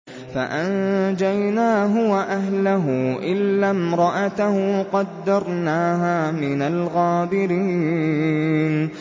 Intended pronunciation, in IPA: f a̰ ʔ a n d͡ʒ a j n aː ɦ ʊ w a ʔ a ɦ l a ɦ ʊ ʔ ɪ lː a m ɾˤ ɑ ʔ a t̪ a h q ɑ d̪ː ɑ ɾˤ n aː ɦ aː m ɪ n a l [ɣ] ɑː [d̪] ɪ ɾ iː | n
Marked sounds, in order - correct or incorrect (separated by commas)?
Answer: correct, correct